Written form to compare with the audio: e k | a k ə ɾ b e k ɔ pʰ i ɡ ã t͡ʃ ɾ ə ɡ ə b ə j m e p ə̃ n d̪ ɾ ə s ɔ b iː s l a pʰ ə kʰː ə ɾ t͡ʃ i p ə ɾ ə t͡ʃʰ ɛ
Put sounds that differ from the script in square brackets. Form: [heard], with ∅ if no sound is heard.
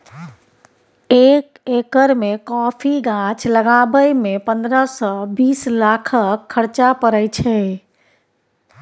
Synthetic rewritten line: e k | [e] k ə ɾ [m] e k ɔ pʰ i ɡ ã t͡ʃ [l] ə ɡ [a] b ə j m e p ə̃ n d̪ ɾ ə s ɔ b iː s l a [kʰ] ə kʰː ə ɾ t͡ʃ [a] p ə ɾ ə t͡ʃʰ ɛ